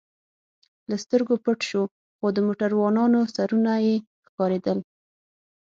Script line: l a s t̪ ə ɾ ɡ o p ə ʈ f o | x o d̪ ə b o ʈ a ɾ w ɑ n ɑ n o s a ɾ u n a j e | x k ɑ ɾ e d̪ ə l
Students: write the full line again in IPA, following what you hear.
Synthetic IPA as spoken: l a s t̪ ə ɾ ɡ o p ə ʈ ʃ o | x o d̪ ə m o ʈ a ɾ w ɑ n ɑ n o s a ɾ u n a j e | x k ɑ ɾ e d̪ ə l

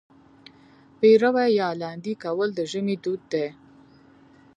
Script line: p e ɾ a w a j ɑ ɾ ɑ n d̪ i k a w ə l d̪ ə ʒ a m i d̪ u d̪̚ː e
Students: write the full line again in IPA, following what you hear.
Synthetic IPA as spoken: p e ɾ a w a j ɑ l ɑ n d̪ i k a w ə l d̪ ə ʒ ə m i d̪ u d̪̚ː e

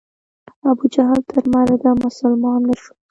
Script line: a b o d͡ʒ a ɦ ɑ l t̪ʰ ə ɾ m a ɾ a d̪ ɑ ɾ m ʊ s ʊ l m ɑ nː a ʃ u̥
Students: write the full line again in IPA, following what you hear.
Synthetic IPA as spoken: a b u d͡ʒ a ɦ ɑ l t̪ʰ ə ɾ m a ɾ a d̪ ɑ m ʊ s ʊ l m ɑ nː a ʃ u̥

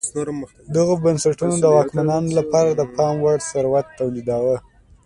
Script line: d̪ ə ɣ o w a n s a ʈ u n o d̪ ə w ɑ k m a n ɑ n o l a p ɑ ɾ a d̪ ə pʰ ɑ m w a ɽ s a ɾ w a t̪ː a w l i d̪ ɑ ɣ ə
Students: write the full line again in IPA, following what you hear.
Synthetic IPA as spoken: d̪ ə ɣ o b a n s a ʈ u n o d̪ ə w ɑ k m a n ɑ n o l a p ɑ ɾ a d̪ ə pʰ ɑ m w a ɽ s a ɾ w a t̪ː a w l i d̪ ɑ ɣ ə

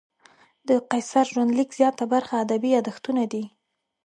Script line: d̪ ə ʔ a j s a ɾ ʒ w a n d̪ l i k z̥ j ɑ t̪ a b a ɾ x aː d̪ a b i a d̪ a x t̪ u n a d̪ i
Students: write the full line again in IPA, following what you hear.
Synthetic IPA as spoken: d̪ ə q a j s a ɾ ʒ w a n d̪ l i k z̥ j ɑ t̪ a b a ɾ x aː d̪ a b i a d̪ a x t̪ u n a d̪ i

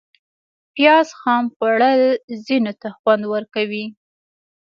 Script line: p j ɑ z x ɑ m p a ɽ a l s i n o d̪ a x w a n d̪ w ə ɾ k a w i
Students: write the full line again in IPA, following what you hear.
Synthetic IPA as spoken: p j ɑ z x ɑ m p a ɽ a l z i n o t̪ a x w a n d̪ w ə ɾ k a w i

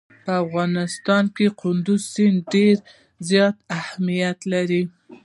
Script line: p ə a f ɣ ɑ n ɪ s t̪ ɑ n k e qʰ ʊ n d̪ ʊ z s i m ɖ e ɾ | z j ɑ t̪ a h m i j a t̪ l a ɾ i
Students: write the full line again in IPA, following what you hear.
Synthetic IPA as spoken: p ə a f ɣ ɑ n ɪ s t̪ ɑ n k e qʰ ʊ n d̪ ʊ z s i n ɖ e ɾ | z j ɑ t̪ a h m i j a t̪ l a ɾ i

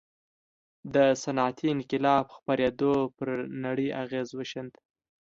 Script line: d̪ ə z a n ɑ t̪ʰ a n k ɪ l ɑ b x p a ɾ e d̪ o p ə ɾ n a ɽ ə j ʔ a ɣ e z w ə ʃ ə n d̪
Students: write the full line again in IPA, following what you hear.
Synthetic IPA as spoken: d̪ ə s a n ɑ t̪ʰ i n k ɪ l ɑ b x p a ɾ e d̪ o p ə ɾ n a ɽ ə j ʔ a ɣ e z w ə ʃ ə n d̪

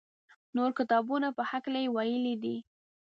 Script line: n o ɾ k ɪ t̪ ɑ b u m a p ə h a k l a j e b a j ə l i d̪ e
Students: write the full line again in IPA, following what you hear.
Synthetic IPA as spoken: n o ɾ k ɪ t̪ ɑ b u n a p ə h a k l a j e w a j ə l i d̪ i

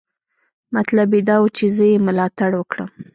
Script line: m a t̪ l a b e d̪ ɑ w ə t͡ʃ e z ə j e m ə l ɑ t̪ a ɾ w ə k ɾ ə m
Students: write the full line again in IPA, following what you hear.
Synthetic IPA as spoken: m a t̪ l a b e d̪ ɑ w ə t͡ʃ e z ə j e m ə l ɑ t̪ a ɽ w ə k ɽ ə m

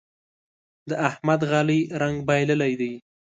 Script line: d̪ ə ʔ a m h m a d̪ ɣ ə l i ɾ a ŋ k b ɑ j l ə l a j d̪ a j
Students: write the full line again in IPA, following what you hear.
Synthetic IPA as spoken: d̪ ə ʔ a h m a d̪ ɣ ɑ l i ɾ a ŋ ɡ b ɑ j l ə l a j d̪ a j

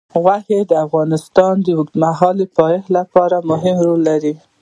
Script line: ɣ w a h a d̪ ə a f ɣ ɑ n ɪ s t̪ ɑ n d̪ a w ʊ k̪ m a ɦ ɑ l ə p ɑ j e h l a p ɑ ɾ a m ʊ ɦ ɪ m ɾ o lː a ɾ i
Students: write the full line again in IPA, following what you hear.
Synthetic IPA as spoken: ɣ w a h e d̪ ə a f ɣ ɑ n ɪ s t̪ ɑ n d̪ ə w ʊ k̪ m a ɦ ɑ l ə p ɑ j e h l a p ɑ ɾ a m ʊ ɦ ɪ m ɾ o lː a ɾ i

